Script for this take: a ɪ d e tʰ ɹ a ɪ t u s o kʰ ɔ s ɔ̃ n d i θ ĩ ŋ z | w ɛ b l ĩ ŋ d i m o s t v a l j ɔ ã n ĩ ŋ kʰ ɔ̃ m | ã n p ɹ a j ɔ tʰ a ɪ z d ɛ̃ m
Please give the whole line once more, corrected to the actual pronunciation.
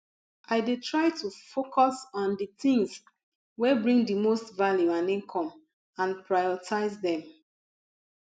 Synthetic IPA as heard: a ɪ d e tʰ ɹ a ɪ t u f o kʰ ɔ s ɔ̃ n d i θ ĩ ŋ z | w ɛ b ɹ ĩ ŋ d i m o s t v a l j u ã n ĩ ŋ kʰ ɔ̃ m | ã n p ɹ a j ɔ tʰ a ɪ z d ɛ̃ m